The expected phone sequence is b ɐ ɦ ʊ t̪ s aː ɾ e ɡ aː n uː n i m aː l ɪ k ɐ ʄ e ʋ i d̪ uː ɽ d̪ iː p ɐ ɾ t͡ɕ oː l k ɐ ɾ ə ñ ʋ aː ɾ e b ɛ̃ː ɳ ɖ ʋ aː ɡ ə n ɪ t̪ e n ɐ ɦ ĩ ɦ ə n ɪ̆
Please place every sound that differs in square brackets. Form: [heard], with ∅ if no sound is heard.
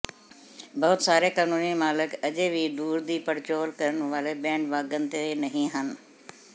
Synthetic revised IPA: b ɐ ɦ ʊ t̪ s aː ɾ e [k] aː n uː n i m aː l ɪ k ɐ ʄ e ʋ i d̪ uː [ɾ] d̪ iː p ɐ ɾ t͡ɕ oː l k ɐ ɾ ə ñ ʋ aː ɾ e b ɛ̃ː ɳ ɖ ʋ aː ɡ ə n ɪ t̪ e n ɐ ɦ ĩ ɦ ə n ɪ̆